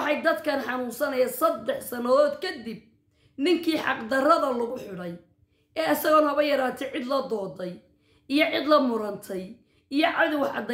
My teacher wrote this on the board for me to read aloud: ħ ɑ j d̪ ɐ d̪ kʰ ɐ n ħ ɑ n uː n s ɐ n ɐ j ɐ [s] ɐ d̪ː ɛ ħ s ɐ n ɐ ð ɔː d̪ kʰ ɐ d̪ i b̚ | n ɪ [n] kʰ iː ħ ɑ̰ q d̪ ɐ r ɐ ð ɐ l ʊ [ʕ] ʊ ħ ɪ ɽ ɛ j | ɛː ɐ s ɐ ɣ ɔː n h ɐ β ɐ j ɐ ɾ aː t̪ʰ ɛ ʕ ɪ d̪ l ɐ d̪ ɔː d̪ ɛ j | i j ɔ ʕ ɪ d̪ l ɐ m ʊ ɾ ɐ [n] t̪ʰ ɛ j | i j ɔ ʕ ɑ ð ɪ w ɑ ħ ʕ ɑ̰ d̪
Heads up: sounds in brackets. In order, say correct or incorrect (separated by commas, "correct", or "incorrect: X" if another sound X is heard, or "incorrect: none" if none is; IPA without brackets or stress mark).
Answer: correct, incorrect: ŋ, incorrect: ɣ, correct